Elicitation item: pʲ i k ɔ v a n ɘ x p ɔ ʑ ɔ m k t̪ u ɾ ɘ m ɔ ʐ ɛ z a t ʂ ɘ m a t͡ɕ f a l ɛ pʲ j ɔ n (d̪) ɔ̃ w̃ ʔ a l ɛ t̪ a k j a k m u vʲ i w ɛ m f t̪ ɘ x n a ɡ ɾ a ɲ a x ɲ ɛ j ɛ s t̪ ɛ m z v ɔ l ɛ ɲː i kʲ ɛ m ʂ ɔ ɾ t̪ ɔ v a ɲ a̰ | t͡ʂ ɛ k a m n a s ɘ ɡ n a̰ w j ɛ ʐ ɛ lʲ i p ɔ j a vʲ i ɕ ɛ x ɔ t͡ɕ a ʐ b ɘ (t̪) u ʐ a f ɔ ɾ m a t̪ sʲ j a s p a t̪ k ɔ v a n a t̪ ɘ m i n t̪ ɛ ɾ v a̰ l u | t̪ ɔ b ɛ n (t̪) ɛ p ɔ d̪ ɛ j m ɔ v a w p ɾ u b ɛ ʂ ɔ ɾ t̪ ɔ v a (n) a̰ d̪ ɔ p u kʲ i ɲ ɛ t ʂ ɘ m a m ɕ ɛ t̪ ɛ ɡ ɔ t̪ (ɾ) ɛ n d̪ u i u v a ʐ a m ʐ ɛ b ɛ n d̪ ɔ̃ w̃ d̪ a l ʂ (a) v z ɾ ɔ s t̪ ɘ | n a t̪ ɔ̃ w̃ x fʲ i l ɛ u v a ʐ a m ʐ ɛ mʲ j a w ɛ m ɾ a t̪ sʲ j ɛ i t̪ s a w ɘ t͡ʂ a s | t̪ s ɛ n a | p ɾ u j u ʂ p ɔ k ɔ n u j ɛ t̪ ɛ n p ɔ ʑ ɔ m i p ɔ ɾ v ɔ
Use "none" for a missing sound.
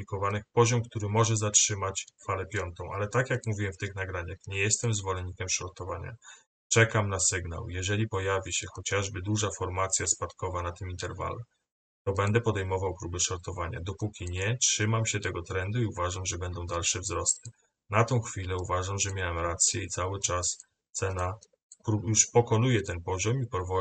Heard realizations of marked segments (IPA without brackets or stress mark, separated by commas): t̪, d̪, d̪, ɲ, ɾ, ɛ